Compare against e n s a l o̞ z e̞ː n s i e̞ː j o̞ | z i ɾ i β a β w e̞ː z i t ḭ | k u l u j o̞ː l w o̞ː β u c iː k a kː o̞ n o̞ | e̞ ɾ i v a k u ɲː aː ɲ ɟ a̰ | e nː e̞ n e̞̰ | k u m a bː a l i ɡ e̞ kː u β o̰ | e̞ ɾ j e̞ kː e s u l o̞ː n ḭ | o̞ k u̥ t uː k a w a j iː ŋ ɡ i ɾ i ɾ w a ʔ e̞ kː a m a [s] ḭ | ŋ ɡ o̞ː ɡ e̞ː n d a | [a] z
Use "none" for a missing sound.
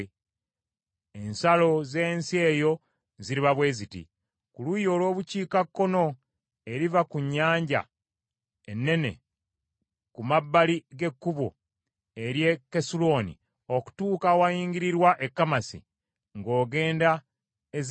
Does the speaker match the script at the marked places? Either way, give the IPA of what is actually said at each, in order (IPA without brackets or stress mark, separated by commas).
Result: s, e